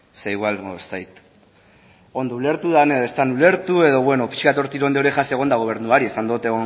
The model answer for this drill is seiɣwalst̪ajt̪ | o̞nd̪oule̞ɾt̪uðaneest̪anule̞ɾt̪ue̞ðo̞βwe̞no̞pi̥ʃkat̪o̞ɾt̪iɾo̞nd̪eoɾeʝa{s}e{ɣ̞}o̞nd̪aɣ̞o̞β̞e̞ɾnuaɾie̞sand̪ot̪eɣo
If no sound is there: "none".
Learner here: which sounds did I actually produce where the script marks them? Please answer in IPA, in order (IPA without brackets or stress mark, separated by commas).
s, ɣ̞